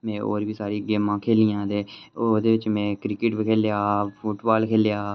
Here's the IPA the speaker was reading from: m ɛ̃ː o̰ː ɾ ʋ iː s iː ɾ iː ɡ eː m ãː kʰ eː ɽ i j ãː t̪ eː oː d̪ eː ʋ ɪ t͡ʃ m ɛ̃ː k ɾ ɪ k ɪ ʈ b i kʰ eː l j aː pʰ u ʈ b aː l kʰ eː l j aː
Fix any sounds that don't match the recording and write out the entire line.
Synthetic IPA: m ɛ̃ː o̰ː ɾ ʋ iː s aː ɾ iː ɡ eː m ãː kʰ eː l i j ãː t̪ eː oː d̪ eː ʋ ɪ t͡ʃ m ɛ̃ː k ɾ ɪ k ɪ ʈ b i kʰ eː l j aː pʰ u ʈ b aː l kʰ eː l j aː